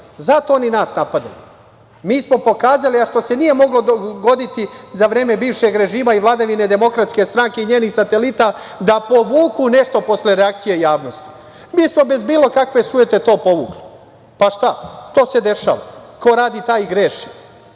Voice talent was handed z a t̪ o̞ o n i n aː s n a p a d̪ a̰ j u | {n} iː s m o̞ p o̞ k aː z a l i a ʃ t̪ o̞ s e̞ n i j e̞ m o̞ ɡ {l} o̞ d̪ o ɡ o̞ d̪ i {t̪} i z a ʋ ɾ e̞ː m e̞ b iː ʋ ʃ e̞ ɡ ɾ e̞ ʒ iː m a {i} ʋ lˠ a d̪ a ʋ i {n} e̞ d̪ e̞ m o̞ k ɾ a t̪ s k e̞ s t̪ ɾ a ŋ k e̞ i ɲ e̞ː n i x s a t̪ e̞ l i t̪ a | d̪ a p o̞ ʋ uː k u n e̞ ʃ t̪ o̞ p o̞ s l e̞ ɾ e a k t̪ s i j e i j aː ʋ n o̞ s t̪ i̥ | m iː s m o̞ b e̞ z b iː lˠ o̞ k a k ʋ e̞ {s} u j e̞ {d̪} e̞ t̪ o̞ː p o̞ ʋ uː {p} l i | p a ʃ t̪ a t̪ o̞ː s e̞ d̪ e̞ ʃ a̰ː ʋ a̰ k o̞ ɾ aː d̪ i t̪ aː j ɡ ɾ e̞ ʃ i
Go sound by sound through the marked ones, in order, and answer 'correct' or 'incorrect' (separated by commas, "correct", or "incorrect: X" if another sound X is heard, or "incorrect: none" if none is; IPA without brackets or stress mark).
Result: incorrect: m, correct, correct, correct, correct, correct, incorrect: t̪, incorrect: k